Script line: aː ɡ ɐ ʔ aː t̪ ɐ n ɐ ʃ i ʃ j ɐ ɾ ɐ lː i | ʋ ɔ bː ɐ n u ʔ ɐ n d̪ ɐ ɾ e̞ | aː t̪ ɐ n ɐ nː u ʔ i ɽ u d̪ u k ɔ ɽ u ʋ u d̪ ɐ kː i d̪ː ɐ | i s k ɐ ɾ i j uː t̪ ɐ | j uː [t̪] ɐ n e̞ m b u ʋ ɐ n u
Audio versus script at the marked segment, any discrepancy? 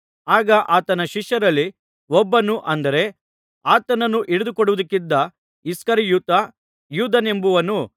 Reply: yes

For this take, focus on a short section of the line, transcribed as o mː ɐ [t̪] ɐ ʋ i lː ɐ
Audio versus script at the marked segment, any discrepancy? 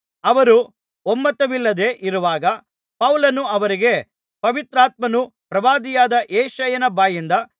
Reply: no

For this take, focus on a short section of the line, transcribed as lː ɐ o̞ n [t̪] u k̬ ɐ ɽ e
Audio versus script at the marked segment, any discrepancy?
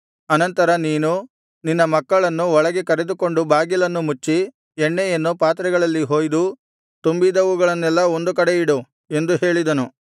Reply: yes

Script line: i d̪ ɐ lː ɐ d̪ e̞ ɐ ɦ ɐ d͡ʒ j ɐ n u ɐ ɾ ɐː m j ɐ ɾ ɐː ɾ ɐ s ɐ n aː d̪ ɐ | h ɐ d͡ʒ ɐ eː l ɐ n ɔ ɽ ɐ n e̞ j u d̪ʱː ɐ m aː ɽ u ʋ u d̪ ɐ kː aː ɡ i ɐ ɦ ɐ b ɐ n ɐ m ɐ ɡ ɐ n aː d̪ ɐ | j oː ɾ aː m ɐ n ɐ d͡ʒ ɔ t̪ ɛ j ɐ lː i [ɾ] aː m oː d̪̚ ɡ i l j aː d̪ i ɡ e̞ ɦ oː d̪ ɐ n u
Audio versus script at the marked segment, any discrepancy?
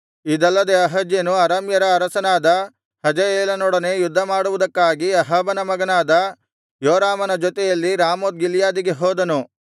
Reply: no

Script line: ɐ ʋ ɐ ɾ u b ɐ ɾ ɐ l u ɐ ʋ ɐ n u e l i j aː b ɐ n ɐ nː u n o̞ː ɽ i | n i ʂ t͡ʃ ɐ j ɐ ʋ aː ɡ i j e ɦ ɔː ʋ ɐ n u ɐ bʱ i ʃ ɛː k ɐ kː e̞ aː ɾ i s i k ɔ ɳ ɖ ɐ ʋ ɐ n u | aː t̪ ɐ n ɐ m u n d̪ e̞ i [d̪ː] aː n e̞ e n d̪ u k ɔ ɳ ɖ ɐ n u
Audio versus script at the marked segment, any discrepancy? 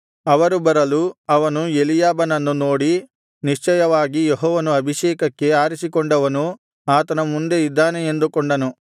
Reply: no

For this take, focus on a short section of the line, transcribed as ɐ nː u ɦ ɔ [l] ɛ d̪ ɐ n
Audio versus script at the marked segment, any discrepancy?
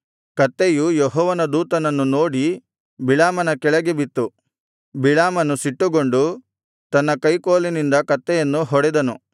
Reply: yes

